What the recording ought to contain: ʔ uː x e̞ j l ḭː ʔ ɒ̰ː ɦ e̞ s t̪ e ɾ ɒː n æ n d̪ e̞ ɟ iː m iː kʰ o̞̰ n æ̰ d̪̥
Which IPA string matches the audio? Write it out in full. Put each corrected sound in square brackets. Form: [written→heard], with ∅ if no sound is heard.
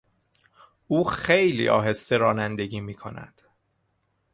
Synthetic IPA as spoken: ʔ uː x e̞ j l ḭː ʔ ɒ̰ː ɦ e̞ s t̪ e ɾ ɒː n æ n d̪ e̞ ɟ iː m iː kʰ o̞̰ n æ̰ d̪̥